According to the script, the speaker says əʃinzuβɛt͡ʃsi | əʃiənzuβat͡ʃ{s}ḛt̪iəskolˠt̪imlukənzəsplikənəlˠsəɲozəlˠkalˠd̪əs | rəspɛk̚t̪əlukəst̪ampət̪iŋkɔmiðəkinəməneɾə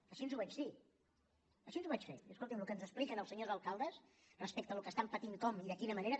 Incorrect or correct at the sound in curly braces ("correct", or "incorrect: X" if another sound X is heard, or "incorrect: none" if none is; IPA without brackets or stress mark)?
incorrect: f